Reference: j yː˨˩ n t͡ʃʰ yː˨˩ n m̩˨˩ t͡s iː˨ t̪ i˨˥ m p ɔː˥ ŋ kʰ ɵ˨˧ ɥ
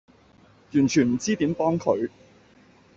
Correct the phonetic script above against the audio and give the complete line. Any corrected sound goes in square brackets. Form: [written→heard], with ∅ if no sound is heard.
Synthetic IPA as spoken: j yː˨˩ n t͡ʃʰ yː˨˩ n m̩˨˩ t͡s [iː˨→iː˥] t̪ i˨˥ m p ɔː˥ ŋ kʰ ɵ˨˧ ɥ